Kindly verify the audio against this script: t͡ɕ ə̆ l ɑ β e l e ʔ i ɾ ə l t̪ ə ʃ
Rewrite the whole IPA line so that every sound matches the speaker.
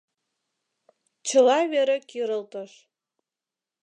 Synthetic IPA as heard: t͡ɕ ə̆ l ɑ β e ɾ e k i ɾ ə l t̪ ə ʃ

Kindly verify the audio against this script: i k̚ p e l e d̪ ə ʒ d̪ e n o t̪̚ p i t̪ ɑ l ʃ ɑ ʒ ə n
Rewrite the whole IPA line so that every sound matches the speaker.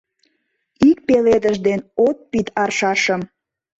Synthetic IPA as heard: i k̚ p e l e d̪ ə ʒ d̪ e n o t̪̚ p i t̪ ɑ r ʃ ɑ ʃ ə m

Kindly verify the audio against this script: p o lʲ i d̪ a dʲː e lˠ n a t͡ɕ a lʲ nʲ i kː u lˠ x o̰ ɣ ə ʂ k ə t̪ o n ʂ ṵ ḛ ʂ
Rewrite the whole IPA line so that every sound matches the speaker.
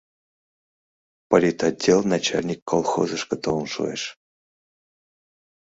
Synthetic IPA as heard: p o lʲ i t̪ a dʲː e lˠ n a t͡ɕ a lʲ nʲ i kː o lˠ x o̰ z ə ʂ k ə t̪ o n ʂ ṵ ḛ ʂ

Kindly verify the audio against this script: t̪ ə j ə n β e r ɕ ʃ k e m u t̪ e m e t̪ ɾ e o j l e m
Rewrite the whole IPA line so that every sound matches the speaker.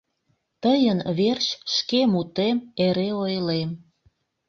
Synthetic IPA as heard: t̪ ə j ə n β e r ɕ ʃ k e m u t̪ e m e ɾ e o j l e m

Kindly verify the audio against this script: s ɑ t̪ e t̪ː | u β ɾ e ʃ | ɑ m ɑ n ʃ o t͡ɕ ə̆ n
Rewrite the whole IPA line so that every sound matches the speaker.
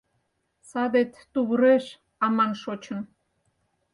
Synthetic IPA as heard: s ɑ d̪ e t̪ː | u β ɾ e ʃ | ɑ m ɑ n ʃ o t͡ɕ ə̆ n

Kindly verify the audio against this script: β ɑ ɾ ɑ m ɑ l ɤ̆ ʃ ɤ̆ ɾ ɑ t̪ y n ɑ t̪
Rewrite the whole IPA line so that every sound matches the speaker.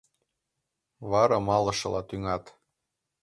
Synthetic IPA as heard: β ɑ ɾ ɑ m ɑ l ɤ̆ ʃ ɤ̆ l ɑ t̪ y ŋ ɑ t̪

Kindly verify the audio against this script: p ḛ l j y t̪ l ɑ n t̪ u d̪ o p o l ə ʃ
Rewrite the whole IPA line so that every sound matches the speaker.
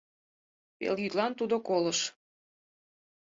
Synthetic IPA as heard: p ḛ l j y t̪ l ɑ n t̪ u d̪ o k o l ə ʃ

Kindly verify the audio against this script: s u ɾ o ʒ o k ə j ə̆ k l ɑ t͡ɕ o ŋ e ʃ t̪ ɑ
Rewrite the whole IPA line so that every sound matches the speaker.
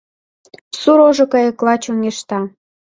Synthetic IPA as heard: s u ɾ o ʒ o k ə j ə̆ k l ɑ t͡ɕ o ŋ e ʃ t̪ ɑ

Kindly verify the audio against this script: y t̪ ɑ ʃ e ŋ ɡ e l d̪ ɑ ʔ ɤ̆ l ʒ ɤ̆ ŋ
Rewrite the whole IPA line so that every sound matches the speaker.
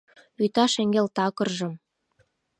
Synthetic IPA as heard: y t̪ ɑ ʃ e ŋ ɡ e l t̪ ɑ k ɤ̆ r ʒ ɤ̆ m

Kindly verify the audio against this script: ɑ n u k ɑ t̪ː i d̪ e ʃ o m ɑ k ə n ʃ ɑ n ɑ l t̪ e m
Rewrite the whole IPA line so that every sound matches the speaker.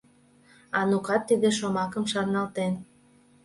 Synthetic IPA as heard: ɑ n u k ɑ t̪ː i d̪ e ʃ o m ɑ k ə m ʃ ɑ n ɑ l t̪ e n

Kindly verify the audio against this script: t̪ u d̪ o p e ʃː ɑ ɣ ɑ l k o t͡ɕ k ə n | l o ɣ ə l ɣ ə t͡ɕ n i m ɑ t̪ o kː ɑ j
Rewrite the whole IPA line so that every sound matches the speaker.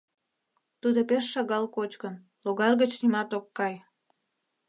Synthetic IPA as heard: t̪ u d̪ o p e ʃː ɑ ɣ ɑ l k o t͡ɕ k ə n | l o ɣ ɑ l ɣ ə t͡ɕ n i m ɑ t̪ o kː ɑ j

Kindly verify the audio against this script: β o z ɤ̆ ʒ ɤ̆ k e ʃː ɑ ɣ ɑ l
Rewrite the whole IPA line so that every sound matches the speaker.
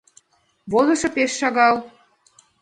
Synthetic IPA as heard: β o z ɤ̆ ʃ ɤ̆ p e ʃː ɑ ɣ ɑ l

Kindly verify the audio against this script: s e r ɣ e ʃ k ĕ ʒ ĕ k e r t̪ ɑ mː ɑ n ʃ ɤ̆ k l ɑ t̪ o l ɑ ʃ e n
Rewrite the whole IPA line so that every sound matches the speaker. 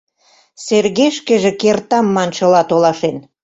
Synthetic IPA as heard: s e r ɣ e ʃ k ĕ ʒ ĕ k e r t̪ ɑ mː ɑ n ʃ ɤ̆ l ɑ t̪ o l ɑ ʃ e n

